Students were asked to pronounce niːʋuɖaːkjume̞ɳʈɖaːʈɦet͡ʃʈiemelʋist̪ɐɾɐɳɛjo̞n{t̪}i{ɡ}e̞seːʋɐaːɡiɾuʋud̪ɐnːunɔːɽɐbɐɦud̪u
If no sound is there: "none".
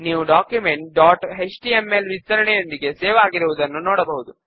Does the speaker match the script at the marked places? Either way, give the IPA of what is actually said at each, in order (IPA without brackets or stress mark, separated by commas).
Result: d̪, ɡ